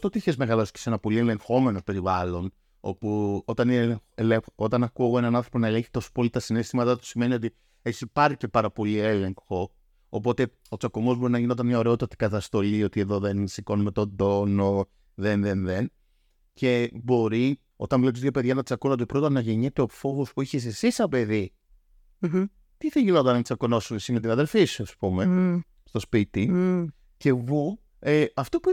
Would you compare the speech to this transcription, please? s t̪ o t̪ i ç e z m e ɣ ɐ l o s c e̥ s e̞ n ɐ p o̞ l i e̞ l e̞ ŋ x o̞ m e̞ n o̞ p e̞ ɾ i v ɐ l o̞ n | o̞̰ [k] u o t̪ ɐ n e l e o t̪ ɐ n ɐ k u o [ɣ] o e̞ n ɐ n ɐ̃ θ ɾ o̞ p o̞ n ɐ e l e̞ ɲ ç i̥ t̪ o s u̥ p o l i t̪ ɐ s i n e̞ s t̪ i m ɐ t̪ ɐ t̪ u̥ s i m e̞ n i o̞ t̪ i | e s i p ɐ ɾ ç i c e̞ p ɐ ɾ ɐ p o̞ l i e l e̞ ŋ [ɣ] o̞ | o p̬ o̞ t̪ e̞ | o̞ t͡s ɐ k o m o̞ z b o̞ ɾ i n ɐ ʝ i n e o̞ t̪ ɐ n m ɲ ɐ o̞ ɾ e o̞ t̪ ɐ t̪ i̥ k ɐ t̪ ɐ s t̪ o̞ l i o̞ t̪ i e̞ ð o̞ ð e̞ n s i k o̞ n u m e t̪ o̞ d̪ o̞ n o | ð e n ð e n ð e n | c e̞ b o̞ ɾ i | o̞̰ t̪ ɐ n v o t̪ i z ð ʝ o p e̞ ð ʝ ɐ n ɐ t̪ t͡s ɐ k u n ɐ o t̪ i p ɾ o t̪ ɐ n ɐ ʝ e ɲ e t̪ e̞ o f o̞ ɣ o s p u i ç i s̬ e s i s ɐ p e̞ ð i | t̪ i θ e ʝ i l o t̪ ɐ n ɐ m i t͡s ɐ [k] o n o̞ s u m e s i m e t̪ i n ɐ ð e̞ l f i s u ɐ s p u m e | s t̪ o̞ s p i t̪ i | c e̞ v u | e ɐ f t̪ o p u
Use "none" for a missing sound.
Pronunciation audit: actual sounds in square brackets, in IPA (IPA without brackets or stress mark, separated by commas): p, ɣ, x, k